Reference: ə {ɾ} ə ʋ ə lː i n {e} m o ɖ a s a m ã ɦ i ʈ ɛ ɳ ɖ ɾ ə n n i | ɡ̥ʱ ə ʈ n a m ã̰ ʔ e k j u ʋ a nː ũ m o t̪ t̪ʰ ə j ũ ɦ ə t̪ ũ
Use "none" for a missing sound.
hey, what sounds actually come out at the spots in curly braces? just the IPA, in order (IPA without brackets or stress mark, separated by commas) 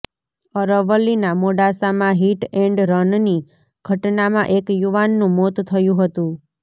ɾ, a